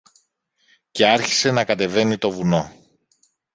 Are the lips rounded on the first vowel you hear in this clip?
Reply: no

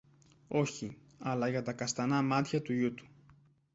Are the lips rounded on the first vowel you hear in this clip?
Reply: yes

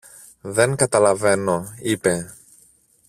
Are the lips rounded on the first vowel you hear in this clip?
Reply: no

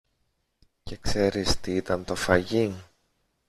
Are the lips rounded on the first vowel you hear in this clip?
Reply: no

